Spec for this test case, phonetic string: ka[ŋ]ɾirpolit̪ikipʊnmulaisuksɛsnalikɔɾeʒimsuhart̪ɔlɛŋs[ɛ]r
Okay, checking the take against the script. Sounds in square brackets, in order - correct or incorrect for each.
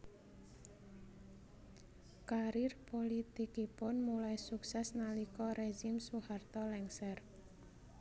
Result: incorrect: none, correct

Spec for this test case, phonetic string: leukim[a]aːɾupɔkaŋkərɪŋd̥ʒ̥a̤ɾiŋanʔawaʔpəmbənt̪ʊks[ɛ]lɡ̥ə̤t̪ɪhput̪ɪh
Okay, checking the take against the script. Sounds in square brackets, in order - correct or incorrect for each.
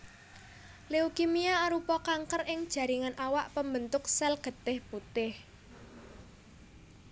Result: incorrect: i, correct

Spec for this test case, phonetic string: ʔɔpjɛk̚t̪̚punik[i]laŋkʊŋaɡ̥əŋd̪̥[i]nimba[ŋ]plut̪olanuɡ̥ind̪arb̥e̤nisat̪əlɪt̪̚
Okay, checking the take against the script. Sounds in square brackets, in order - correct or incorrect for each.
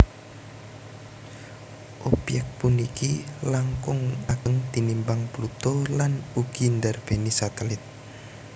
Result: correct, correct, correct

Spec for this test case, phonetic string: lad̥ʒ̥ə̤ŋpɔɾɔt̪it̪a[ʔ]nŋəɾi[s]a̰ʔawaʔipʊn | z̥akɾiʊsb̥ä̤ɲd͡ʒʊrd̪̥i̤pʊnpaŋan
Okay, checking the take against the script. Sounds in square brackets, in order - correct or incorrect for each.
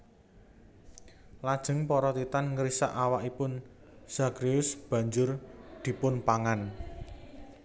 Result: incorrect: none, correct

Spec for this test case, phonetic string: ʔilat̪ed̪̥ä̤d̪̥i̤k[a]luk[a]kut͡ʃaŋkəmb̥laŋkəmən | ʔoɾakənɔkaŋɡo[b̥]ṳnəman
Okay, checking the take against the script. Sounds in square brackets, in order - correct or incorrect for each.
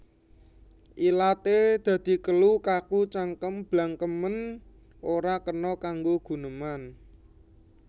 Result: incorrect: ə, correct, incorrect: ɡ̥

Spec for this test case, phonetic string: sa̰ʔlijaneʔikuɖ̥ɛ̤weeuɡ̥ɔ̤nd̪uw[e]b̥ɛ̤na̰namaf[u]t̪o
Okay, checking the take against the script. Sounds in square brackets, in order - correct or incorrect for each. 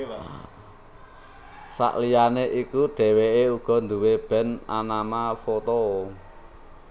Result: correct, incorrect: o

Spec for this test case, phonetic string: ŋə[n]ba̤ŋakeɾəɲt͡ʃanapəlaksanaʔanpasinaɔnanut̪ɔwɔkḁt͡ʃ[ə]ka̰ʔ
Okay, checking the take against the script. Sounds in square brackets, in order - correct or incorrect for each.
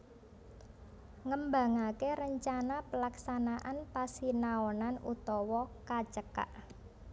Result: incorrect: m, correct

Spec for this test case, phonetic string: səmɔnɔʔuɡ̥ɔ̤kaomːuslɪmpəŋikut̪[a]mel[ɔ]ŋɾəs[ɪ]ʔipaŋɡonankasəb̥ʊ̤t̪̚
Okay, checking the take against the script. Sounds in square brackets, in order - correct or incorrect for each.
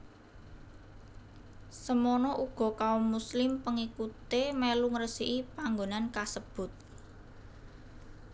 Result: incorrect: e, incorrect: u, incorrect: i

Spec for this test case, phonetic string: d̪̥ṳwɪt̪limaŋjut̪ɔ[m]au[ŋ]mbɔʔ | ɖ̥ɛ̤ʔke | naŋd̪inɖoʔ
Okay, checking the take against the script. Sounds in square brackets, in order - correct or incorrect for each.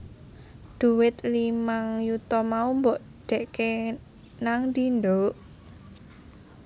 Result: correct, incorrect: none

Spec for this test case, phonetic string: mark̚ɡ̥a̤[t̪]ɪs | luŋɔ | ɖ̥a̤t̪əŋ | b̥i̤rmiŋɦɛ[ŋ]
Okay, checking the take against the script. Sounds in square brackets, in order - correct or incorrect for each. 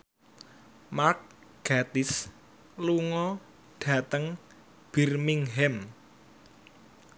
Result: correct, incorrect: m

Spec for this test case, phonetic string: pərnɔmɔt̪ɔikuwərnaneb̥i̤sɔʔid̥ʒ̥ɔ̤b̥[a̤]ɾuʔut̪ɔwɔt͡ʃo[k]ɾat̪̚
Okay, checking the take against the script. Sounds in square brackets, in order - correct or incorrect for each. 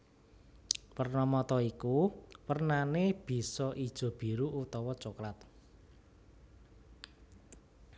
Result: incorrect: i̤, correct

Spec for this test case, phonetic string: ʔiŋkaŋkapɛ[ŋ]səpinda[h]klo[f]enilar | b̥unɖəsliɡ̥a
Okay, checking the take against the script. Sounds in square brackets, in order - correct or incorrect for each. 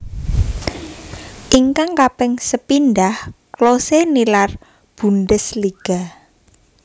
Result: correct, correct, incorrect: s

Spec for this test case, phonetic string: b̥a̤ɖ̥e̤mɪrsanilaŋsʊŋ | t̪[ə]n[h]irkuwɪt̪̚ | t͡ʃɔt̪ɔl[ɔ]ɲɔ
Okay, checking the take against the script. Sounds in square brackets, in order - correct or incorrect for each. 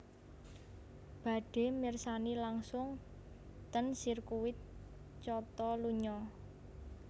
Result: correct, incorrect: s, incorrect: u

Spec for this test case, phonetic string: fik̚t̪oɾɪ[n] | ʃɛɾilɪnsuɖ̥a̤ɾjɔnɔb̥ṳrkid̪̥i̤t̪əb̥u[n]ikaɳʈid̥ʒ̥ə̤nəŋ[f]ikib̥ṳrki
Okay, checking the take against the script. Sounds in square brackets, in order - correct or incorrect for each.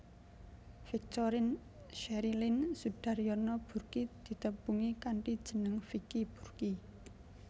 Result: correct, incorrect: ŋ, correct

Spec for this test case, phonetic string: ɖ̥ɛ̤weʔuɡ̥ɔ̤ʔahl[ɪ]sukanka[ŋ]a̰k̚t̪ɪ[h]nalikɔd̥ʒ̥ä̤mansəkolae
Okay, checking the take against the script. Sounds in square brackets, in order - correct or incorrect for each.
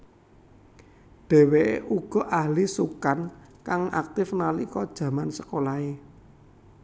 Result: incorrect: i, correct, incorrect: f

